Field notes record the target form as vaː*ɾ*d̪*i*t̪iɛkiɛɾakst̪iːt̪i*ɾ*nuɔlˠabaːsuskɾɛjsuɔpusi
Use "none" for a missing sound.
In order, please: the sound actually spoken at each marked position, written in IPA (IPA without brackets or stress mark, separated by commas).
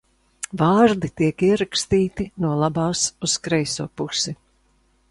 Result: ɾ, i, none